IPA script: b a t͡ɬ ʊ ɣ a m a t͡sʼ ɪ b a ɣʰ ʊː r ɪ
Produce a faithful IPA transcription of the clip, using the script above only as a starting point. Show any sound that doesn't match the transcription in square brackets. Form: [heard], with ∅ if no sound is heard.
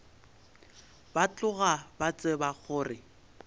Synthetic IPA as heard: b a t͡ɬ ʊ ɣ a [b] a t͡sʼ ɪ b a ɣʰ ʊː r ɪ